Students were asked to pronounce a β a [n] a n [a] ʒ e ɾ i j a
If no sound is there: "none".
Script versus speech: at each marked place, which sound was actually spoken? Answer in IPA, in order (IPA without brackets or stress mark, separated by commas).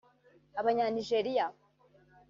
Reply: ɲ, i